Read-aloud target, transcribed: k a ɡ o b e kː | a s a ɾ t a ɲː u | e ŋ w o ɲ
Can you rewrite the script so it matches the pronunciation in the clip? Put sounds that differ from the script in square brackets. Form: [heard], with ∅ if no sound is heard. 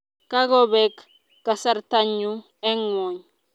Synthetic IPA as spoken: k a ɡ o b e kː | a s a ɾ t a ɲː u | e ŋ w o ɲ

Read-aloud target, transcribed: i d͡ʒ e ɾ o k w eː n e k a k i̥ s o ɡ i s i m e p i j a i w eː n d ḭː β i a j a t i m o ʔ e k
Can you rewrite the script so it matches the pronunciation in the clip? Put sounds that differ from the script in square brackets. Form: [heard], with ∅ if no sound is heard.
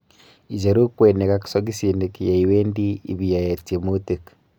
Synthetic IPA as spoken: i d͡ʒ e ɾ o k w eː n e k a k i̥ s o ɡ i s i [n] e [k] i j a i w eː n d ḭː β i a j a t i m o [t] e k

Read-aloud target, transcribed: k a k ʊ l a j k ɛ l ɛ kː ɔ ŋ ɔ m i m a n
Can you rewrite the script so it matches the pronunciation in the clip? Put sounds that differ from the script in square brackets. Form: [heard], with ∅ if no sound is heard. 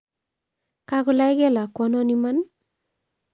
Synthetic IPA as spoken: k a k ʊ l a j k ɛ l [a] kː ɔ [n] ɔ [n] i m a n

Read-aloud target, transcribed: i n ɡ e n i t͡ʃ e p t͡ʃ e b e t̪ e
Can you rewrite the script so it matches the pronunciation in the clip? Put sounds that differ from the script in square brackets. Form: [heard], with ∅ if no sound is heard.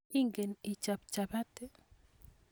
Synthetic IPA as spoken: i [ŋ] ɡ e n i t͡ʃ [a] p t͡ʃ [a] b [a] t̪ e

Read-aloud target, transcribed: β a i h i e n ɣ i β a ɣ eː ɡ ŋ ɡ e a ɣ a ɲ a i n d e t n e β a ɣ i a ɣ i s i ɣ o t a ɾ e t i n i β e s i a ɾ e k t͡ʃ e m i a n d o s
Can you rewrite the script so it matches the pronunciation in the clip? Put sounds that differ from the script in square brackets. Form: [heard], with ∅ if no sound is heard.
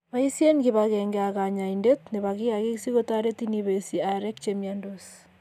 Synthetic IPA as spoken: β a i [s] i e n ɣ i β a ɣ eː [∅] ŋ ɡ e a ɣ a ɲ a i n d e t n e β a ɣ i a ɣ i s i ɣ o t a ɾ e t i n i β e s i a ɾ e k t͡ʃ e m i a n d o s

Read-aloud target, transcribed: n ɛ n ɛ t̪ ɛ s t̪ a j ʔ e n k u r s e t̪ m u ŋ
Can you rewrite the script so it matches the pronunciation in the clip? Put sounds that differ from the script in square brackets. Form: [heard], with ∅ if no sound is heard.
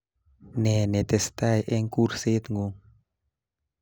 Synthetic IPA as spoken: n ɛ n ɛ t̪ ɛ s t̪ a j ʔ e [ŋ] k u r s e t̪ [ŋ] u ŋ

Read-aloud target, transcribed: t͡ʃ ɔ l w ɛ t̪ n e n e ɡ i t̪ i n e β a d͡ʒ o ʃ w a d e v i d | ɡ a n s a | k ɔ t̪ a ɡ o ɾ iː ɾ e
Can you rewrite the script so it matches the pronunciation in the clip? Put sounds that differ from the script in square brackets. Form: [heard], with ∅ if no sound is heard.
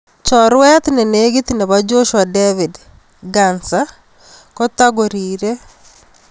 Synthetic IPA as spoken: t͡ʃ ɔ [ɾ] w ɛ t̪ n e n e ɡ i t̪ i n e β a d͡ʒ o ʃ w a d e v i d | ɡ a n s a | k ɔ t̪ a ɡ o ɾ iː ɾ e

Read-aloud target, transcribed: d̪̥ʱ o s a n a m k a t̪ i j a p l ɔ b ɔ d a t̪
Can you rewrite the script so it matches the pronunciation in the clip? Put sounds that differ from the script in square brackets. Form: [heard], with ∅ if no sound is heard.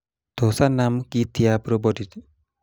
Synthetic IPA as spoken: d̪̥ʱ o s a n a m k [i] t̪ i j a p [ɾ] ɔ b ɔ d [i] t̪

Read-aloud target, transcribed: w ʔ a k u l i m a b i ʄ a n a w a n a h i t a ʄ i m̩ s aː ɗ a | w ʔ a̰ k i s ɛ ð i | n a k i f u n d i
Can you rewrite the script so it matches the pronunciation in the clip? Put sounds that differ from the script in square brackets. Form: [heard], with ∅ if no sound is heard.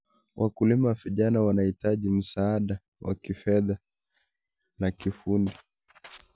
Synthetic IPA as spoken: w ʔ a k u l i m a [v] i ʄ a n a w a n a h i t a ʄ i m̩ s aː ɗ a | w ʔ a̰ k i [f] ɛ ð [a] | n a k i f u n d i

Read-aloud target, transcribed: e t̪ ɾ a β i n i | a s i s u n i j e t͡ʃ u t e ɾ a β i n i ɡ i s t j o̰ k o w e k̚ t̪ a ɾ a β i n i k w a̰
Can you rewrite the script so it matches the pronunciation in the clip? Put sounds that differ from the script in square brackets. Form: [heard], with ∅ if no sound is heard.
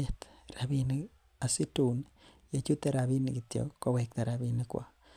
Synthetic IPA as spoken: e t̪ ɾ a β i n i | a s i [t] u n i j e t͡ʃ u t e ɾ a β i n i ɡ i [∅] t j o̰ k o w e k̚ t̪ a ɾ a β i n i k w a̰

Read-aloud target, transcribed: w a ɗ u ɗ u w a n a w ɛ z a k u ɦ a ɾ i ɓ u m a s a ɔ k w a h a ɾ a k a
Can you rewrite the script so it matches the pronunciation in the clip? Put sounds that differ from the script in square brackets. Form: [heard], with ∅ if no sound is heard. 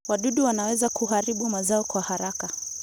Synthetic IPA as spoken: w a ɗ u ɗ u w a n a w ɛ z a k u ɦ a ɾ i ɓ u m a [z] a ɔ k w a h a ɾ a k a

